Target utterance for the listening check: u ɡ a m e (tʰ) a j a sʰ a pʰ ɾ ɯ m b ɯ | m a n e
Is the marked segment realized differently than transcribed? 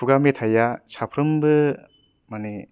no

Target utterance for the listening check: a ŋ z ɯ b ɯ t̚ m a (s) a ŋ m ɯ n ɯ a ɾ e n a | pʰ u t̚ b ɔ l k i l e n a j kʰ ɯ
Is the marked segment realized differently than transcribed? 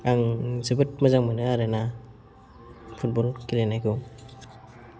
yes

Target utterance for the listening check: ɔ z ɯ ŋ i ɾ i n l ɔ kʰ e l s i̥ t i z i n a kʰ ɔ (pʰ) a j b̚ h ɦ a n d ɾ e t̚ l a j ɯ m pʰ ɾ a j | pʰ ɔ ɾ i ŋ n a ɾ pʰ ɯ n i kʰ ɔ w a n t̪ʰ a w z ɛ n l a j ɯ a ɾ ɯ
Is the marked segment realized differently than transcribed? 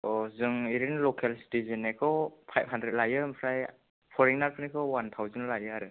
no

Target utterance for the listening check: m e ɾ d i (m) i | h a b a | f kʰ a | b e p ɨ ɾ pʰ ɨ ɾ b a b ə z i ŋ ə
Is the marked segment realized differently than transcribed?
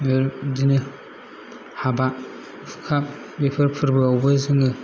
yes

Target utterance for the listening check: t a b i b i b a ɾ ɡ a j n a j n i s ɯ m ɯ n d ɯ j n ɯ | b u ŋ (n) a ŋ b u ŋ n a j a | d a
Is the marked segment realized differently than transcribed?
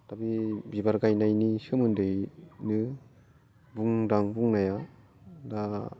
yes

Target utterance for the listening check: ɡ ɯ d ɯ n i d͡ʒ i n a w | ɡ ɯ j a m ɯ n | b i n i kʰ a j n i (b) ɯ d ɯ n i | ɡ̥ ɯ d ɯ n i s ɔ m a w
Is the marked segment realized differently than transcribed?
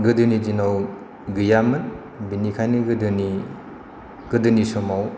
yes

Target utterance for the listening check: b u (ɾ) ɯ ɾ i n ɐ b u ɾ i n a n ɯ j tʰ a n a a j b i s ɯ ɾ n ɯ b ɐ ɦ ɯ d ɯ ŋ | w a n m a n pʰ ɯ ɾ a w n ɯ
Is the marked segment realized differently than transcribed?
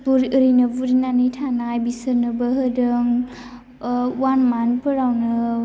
no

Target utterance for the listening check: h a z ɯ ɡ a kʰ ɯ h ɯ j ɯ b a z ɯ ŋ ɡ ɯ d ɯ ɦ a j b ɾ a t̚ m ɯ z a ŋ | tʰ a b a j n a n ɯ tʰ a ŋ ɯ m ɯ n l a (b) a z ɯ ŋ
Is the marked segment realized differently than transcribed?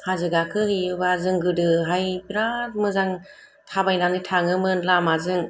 yes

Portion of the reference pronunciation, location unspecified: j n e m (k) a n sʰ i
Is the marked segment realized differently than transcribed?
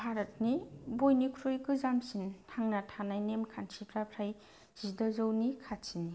yes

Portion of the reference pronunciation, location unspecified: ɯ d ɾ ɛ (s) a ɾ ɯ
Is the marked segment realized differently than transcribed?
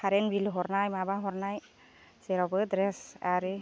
no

